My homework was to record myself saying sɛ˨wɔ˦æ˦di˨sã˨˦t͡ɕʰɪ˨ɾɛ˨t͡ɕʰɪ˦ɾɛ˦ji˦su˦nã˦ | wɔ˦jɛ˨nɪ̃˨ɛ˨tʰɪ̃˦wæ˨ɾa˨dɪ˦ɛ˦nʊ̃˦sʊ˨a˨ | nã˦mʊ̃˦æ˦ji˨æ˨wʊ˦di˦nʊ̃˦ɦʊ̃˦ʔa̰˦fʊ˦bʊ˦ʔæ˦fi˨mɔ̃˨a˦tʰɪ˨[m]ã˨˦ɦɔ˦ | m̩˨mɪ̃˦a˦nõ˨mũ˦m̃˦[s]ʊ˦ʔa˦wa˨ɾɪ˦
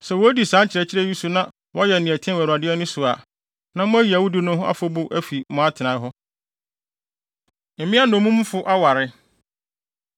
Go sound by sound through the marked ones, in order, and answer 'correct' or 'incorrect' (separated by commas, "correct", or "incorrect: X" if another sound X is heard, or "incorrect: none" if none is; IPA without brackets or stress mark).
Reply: incorrect: n, incorrect: f